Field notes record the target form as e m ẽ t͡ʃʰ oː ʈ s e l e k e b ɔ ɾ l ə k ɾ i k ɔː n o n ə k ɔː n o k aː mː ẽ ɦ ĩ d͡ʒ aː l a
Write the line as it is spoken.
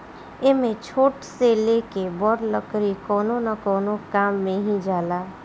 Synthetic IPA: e m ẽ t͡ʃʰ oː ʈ s e l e k e b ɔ ɾ l ə k ɾ i k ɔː n o n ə k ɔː n o k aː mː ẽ ɦ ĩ d͡ʒ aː l a

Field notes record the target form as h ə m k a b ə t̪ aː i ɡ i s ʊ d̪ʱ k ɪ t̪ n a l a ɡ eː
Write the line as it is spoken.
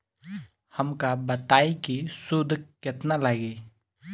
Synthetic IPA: h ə m k a b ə t̪ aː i k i s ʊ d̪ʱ k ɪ t̪ n a l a ɡ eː

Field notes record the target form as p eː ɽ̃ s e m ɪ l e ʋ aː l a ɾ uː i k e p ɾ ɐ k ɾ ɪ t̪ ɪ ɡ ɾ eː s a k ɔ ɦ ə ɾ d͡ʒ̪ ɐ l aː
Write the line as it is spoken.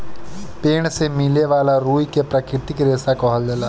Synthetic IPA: p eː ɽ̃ s e m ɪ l e ʋ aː l a ɾ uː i k e p ɾ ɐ k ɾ ɪ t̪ ɪ k ɾ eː s a k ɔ ɦ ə l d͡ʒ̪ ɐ l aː

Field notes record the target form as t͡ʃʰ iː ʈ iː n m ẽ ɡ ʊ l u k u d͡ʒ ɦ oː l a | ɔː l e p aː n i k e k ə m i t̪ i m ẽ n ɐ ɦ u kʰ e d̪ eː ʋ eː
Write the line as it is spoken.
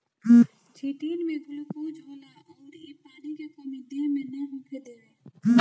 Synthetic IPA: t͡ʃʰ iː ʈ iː n m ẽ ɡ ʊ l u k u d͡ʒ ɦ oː l a | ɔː ɾ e p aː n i k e k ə m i d̪ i m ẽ n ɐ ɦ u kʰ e d̪ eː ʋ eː

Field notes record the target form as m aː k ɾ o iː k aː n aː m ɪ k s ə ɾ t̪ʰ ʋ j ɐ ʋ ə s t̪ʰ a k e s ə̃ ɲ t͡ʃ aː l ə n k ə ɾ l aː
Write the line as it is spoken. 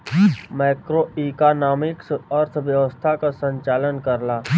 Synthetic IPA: m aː k ɾ o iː k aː n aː m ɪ k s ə ɾ t̪ʰ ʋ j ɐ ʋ ə s t̪ʰ a k a s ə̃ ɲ t͡ʃ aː l ə n k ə ɾ l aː

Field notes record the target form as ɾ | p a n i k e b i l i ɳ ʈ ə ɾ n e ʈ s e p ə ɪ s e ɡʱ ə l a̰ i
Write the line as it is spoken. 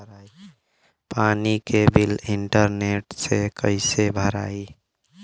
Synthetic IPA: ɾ | p a n i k e b i l i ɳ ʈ ə ɾ n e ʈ s e k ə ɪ s e bʱ ə ɾ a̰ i

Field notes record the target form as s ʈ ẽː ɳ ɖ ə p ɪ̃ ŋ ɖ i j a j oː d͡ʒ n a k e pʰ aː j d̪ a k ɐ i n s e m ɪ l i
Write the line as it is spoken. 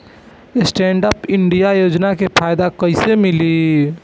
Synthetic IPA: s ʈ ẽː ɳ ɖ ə p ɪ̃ ɳ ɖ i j a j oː d͡ʒ n a k e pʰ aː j d̪ a k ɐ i s e m ɪ l i

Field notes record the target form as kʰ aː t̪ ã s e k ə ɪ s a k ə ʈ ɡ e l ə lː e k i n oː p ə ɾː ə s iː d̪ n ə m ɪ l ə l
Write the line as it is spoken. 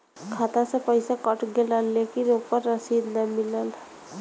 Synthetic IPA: kʰ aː t̪ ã s e p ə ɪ s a k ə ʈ ɡ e l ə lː e k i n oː p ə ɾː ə s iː d̪ n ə m ɪ l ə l

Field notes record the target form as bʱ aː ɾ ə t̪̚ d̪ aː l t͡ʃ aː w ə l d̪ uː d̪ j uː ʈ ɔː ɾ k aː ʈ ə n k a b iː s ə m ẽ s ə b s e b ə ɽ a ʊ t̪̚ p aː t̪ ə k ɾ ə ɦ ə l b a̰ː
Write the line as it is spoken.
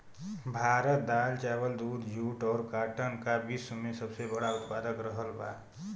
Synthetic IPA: bʱ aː ɾ ə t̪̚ d̪ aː l t͡ʃ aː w ə l d̪ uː d̪ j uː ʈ ɔː ɾ k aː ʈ ə n k a b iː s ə m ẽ s ə b s e b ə ɽ a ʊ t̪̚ p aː d̪ ə k ɾ ə ɦ ə l b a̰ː

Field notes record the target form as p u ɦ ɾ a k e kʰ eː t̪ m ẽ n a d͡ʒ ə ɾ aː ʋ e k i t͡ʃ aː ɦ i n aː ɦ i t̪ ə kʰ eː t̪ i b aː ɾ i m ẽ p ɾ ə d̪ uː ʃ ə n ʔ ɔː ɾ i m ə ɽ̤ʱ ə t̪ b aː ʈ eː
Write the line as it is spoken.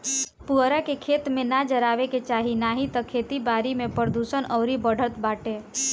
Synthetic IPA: p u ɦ ɾ a k e kʰ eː t̪ m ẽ n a d͡ʒ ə ɾ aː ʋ e k e t͡ʃ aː ɦ i n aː ɦ i t̪ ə kʰ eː t̪ i b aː ɾ i m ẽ p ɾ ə d̪ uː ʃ ə n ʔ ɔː ɾ i b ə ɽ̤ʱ ə t̪ b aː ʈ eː

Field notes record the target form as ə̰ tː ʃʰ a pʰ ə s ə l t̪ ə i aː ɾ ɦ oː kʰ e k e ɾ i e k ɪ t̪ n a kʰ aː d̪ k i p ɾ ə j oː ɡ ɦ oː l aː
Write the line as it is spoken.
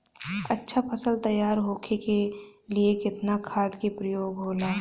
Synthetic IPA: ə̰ tː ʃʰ a pʰ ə s ə l t̪ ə j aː ɾ ɦ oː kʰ e k e l i e k ɪ t̪ n a kʰ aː d̪ k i p ɾ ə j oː ɡ ɦ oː l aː

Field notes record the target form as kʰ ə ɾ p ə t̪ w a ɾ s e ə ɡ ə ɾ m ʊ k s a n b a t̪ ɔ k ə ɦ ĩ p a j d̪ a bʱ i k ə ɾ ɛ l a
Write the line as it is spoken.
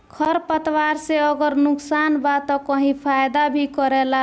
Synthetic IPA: kʰ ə ɾ p ə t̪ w a ɾ s e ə ɡ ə ɾ n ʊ k s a n b a t̪ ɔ k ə ɦ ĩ pʰ a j d̪ a bʱ i k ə ɾ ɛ l a

